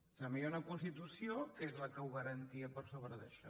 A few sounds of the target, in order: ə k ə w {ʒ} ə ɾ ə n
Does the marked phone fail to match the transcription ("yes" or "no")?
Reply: yes